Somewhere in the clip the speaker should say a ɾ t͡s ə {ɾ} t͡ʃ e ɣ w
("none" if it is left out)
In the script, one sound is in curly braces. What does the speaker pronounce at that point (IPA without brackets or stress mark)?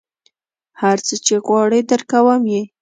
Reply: none